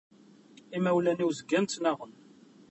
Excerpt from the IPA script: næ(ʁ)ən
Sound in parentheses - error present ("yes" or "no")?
no